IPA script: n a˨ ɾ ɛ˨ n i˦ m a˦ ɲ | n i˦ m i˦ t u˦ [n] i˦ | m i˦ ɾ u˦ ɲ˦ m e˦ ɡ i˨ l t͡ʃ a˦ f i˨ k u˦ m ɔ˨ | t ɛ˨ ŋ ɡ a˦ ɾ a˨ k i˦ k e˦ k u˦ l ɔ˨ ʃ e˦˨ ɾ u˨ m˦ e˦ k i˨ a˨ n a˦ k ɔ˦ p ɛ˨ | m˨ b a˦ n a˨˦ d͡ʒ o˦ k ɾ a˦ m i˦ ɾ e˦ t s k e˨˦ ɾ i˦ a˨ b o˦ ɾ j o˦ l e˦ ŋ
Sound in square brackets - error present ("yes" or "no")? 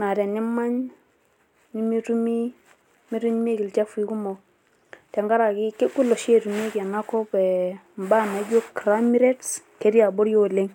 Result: yes